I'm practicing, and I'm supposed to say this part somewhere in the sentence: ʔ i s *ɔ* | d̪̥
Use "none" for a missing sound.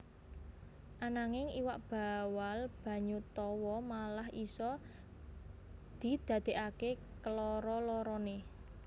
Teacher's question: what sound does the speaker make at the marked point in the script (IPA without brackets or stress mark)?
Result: ɔ